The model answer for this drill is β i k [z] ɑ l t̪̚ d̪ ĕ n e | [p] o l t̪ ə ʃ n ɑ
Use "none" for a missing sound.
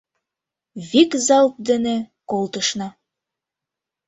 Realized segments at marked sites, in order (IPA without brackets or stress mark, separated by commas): z, k